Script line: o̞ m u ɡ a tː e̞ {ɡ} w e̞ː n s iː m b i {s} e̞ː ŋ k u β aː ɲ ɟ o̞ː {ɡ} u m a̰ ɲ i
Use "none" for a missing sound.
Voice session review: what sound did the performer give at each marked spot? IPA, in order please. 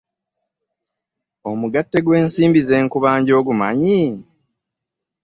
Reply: ɡ, z, ɡ

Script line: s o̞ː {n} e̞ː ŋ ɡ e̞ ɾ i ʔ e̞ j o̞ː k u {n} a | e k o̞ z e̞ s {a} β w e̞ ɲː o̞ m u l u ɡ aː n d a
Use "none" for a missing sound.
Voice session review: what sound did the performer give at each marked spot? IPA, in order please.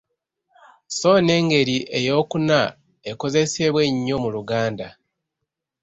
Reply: n, n, e

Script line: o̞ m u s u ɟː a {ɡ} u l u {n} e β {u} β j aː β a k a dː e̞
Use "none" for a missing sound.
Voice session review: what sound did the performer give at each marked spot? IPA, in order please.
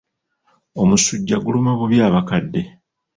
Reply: ɡ, m, u

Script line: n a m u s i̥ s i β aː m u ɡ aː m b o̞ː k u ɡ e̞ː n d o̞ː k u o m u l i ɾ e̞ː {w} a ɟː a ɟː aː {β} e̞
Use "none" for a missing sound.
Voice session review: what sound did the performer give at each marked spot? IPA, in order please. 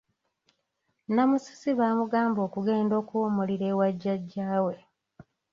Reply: w, w

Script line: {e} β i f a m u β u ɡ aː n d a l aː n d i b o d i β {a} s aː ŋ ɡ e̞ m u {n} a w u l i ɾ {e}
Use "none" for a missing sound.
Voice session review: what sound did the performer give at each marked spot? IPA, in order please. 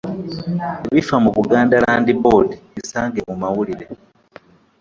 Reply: e, i, m, e

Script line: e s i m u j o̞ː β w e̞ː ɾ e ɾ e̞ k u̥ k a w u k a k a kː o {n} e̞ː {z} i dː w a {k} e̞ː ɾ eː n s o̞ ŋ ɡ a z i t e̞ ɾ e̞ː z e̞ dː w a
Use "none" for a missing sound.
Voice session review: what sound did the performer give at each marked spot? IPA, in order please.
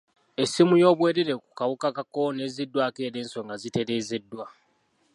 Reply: n, z, k

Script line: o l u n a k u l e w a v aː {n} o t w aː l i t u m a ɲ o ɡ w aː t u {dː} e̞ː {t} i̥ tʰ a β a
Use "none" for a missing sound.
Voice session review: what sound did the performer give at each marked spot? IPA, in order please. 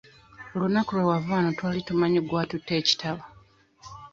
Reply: n, tː, c

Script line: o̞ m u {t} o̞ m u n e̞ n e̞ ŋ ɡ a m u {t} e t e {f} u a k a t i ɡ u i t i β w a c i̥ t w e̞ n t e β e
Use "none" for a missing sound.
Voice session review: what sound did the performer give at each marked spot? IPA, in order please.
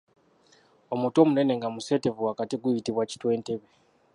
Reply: t, s, v

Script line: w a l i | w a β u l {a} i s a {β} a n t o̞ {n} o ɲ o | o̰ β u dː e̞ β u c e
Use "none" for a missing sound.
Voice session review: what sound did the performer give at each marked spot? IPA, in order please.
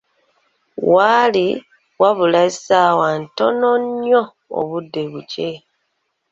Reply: a, w, n

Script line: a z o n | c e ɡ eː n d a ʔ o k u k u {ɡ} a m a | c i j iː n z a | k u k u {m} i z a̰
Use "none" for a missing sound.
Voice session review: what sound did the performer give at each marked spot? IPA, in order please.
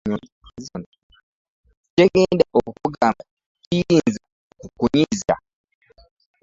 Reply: ɡ, ɲ

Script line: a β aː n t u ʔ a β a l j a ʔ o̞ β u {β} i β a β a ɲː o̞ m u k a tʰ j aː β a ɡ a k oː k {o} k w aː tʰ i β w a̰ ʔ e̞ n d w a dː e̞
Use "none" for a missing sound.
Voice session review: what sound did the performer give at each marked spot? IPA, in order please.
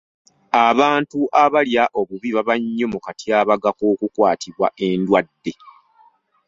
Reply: β, u

